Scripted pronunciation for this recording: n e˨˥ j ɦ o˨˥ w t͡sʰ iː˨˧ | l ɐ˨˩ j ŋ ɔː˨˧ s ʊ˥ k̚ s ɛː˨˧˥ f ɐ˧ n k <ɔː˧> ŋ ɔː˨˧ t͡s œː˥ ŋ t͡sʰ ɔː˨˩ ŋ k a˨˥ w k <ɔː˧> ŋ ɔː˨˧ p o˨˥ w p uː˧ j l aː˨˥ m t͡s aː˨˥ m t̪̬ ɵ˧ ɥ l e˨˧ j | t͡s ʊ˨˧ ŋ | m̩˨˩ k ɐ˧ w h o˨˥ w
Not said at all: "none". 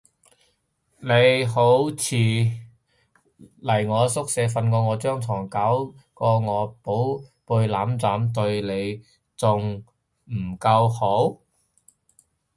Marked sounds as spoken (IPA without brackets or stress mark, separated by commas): ɔː˧, ɔː˧